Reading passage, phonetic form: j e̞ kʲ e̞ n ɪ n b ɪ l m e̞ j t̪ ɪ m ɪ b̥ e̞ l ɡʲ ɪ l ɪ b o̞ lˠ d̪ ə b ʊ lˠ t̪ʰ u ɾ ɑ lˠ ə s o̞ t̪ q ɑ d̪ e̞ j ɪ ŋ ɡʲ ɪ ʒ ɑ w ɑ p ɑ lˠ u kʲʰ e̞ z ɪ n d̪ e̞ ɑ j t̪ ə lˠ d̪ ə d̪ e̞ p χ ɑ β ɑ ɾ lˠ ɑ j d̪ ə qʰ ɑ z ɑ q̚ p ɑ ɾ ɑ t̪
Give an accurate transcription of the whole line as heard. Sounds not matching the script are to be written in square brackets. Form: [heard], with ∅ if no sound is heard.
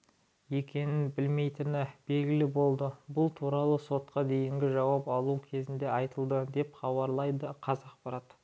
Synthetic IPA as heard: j e̞ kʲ e̞ n ɪ n b ɪ l m e̞ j t̪ ɪ [n] ɪ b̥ e̞ l ɡʲ ɪ l ɪ b o̞ lˠ d̪ ə b ʊ lˠ t̪ʰ u ɾ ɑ lˠ ə s o̞ t̪ q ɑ d̪ e̞ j ɪ ŋ ɡʲ ɪ ʒ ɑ w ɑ p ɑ lˠ u kʲʰ e̞ z ɪ n d̪ e̞ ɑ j t̪ ə lˠ d̪ ə d̪ e̞ p χ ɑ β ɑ ɾ lˠ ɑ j d̪ ə qʰ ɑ z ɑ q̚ p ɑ ɾ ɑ t̪

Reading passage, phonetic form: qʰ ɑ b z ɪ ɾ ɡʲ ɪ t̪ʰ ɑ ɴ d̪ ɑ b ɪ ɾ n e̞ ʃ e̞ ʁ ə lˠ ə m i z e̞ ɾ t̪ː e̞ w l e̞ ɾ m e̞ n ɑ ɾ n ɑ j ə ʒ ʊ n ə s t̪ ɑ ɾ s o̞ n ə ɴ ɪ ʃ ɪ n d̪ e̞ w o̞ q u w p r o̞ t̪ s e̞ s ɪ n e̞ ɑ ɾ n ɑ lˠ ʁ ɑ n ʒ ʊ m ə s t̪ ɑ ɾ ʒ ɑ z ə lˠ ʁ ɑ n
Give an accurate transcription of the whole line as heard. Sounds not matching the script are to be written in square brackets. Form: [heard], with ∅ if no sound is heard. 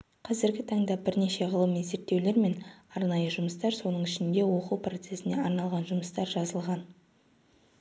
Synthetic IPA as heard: qʰ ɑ [∅] z ɪ ɾ ɡʲ ɪ t̪ʰ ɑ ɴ d̪ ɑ b ɪ ɾ n e̞ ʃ e̞ ʁ ə lˠ ə m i z e̞ ɾ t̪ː e̞ w l e̞ ɾ m e̞ n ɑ ɾ n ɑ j ə ʒ ʊ [m] ə s t̪ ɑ ɾ s o̞ n ə ɴ ɪ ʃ ɪ n d̪ e̞ w o̞ q u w p r o̞ t̪ s e̞ s ɪ n e̞ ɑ ɾ n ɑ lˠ ʁ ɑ n ʒ ʊ m ə s t̪ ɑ ɾ ʒ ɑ z ə lˠ ʁ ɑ n

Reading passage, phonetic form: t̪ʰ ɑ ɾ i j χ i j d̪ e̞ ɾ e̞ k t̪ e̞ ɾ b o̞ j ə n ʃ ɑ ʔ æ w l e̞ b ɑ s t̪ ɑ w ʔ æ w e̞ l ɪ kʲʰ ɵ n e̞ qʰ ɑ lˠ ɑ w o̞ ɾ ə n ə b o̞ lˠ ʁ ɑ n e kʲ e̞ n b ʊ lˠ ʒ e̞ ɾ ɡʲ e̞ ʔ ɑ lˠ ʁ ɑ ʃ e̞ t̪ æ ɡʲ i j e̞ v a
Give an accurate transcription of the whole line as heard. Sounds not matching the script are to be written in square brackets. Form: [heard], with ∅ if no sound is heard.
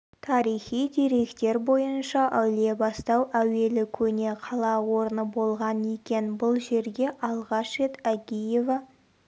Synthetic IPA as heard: t̪ʰ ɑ ɾ i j χ i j d̪ e̞ ɾ e̞ k t̪ e̞ ɾ b o̞ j ə n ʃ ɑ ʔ æ w l e̞ b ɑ s t̪ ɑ w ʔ æ w e̞ l ɪ kʲʰ ɵ n e̞ qʰ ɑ lˠ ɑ w o̞ ɾ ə n ə b o̞ lˠ ʁ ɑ n e kʲ e̞ n b ʊ lˠ ʒ e̞ ɾ ɡʲ e̞ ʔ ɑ lˠ ʁ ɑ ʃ e̞ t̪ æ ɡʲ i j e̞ v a

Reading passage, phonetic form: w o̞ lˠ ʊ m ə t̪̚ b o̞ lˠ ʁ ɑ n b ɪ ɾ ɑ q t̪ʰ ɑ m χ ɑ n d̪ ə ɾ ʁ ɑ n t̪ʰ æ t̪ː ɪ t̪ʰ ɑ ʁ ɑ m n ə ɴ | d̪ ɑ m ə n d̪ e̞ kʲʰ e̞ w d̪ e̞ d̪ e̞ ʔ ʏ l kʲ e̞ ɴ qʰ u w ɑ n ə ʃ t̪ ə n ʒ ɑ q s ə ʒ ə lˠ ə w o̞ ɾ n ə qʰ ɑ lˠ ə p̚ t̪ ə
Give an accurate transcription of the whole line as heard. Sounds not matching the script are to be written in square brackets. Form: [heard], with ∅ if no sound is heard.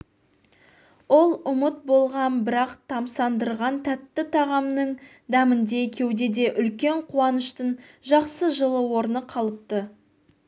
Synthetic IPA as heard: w o̞ lˠ ʊ m ə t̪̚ b o̞ lˠ ʁ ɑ n b ɪ ɾ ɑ q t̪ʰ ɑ m [s] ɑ n d̪ ə ɾ ʁ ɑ n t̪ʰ æ t̪ː ɪ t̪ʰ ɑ ʁ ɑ m n ə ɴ | d̪ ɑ m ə n d̪ e̞ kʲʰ e̞ w d̪ e̞ d̪ e̞ ʔ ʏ l kʲ e̞ ɴ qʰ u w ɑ n ə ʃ t̪ ə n ʒ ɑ q s ə ʒ ə lˠ ə w o̞ ɾ n ə qʰ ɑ lˠ ə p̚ t̪ ə

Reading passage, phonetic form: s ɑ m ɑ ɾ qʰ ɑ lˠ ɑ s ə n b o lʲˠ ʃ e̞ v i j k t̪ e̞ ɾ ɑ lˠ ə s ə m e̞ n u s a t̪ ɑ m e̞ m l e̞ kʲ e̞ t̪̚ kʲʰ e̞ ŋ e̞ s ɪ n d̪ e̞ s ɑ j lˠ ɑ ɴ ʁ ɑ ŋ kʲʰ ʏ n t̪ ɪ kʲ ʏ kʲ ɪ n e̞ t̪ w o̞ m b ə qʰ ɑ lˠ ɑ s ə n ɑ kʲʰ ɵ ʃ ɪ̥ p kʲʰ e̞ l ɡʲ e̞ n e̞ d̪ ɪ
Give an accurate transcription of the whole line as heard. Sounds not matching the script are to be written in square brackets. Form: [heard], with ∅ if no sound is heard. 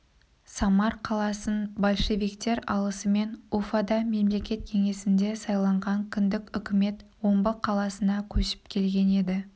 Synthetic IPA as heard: s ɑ m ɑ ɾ qʰ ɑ lˠ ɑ s ə n b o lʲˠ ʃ e̞ v i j k t̪ e̞ ɾ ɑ lˠ ə s ə m e̞ n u [f] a [d̪] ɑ m e̞ m l e̞ kʲ e̞ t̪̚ kʲʰ e̞ ŋ e̞ s ɪ n d̪ e̞ s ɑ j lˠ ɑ ɴ ʁ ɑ ŋ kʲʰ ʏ n [d̪] ɪ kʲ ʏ kʲ ɪ [m] e̞ t̪ w o̞ m b ə qʰ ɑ lˠ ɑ s ə n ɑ kʲʰ ɵ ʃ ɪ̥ p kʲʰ e̞ l ɡʲ e̞ n e̞ d̪ ɪ

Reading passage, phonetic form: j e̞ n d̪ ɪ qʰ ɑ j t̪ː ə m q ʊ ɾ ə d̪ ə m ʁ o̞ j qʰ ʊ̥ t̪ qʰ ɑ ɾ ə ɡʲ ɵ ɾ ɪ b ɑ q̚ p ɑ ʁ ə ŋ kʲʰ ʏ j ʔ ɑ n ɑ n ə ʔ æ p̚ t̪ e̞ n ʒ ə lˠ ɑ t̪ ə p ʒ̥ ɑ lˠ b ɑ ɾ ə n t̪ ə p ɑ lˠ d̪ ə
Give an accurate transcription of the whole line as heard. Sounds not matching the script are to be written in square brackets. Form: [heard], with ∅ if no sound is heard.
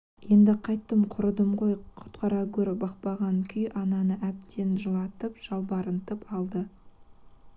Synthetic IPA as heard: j e̞ n d̪ ɪ qʰ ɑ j t̪ː ə m [qʰ] ʊ ɾ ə d̪ ə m ʁ o̞ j qʰ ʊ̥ t̪ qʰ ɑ ɾ [ɑ] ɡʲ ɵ ɾ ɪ b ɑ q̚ p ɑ ʁ [ɑ] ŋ kʲʰ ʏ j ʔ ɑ n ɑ n ə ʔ æ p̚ t̪ e̞ n ʒ ə lˠ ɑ t̪ ə p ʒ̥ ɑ lˠ b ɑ ɾ ə n t̪ ə p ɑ lˠ d̪ ə

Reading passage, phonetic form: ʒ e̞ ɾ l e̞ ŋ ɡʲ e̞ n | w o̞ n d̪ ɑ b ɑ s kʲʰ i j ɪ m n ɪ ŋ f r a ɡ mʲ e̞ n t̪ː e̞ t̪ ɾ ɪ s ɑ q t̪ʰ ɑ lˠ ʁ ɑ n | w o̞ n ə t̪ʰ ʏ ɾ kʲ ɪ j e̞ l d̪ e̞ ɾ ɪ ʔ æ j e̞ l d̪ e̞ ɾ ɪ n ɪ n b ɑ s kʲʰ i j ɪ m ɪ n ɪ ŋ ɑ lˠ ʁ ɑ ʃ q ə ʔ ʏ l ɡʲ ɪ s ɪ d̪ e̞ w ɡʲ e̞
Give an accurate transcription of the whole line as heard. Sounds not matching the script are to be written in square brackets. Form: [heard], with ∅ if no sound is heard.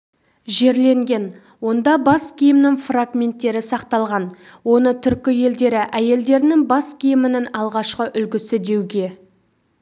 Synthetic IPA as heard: ʒ e̞ ɾ l e̞ ŋ ɡʲ e̞ n | w o̞ n d̪ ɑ b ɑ s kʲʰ i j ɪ m n ɪ ŋ f r a ɡ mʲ e̞ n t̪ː e̞ [∅] ɾ ɪ s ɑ q [t̪] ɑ lˠ ʁ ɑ n | w o̞ n ə t̪ʰ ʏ ɾ kʲ ɪ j e̞ l d̪ e̞ ɾ ɪ ʔ æ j e̞ l d̪ e̞ ɾ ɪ n ɪ [ŋ] b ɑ s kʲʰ i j ɪ m ɪ n ɪ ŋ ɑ lˠ ʁ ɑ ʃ q ə ʔ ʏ l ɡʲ ɪ s ɪ d̪ e̞ w ɡʲ e̞

